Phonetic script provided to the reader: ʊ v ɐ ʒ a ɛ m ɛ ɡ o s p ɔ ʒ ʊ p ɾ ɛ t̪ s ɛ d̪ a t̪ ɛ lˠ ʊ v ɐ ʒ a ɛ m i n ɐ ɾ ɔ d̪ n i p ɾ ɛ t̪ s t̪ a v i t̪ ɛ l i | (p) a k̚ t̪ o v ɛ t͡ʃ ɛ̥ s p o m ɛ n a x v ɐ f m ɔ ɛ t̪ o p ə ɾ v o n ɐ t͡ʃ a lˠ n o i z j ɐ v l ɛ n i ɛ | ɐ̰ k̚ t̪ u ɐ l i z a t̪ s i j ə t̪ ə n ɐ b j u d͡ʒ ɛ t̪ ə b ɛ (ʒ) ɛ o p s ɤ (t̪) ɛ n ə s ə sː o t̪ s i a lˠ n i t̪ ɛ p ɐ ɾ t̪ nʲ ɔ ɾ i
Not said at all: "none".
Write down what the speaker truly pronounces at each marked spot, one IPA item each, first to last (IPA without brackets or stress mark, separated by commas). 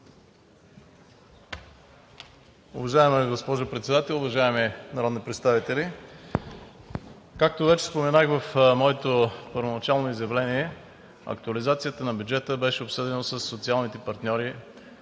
k, ʃ, d̪